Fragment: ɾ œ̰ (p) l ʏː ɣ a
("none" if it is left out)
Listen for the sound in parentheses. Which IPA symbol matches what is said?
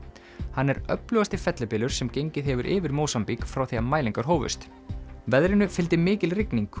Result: p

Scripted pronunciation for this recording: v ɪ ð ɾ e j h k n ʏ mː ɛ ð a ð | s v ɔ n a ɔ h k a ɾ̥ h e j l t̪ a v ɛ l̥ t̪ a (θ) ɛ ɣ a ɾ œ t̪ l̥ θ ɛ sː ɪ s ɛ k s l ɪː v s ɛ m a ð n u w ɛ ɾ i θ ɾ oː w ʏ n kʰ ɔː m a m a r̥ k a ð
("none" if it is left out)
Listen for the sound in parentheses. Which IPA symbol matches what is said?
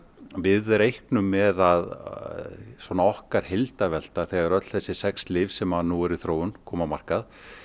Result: θ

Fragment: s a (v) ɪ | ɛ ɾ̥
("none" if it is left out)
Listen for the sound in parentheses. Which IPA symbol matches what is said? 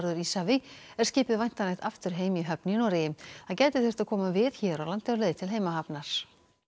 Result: v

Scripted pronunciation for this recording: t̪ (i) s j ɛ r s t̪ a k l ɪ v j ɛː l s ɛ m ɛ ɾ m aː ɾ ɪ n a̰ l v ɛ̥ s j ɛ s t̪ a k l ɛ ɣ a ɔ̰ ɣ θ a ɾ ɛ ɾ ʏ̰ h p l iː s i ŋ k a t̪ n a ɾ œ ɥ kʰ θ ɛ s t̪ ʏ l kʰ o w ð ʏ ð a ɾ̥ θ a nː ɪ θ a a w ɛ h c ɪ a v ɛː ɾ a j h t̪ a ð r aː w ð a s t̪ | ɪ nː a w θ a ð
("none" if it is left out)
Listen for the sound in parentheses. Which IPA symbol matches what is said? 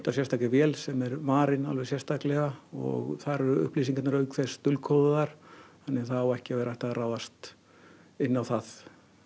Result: a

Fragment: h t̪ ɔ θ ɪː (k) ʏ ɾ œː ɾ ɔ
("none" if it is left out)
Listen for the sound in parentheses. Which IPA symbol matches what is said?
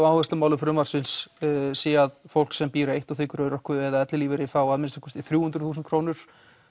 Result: k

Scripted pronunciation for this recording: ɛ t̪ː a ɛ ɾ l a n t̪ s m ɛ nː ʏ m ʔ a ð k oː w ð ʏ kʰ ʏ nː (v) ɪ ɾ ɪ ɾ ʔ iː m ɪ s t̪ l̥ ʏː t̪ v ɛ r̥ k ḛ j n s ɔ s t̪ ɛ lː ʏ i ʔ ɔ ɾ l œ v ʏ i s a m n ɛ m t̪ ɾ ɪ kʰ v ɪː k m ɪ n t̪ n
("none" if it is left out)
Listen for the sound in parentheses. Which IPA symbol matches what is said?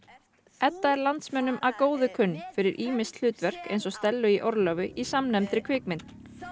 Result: f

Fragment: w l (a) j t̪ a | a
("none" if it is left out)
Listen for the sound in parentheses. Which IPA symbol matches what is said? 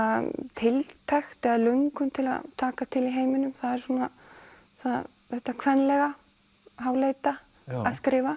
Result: e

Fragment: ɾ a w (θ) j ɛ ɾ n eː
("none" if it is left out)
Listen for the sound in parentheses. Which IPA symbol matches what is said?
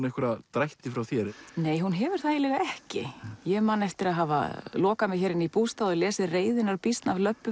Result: θ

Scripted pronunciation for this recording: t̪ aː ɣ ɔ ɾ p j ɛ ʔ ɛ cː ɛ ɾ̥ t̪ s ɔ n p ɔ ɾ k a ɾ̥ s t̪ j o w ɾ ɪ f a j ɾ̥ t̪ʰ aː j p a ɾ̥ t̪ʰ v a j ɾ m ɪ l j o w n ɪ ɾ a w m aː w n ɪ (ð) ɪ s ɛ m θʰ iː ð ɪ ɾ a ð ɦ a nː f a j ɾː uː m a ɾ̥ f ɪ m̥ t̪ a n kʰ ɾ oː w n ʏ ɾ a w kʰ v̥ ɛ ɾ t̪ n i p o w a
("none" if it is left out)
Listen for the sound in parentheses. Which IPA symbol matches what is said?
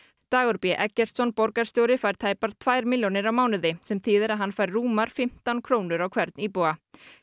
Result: ð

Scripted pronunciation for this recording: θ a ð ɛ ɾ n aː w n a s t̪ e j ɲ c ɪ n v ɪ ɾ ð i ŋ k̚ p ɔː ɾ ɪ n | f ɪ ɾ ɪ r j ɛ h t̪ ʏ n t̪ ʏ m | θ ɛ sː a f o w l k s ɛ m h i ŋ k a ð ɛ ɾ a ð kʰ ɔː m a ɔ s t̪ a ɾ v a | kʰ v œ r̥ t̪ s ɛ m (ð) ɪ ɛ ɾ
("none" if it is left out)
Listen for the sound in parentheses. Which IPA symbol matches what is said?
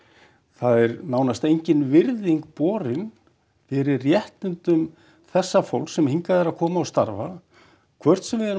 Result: v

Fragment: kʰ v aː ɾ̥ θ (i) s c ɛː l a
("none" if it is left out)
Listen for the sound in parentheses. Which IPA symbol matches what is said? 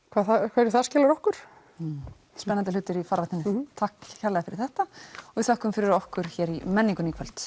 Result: a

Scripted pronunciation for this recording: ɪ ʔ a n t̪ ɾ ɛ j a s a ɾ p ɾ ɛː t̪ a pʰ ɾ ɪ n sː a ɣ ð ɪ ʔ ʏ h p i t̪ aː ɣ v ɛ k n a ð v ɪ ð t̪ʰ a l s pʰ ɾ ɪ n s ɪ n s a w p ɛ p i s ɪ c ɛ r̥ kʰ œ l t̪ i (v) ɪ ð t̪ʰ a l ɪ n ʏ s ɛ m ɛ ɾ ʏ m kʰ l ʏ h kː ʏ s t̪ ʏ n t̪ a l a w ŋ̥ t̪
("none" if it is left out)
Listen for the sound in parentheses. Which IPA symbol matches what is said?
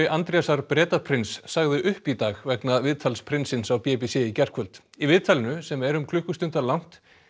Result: v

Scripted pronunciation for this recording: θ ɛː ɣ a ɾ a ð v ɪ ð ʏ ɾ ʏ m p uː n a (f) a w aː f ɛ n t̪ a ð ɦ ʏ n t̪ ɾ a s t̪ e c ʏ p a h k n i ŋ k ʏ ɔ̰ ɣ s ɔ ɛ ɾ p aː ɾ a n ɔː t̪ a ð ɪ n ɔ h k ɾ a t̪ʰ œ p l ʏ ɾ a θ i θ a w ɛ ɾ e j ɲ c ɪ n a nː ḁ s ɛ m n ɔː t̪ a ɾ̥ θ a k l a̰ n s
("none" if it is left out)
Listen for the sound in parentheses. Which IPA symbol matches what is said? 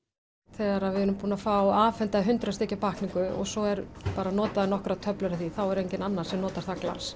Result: f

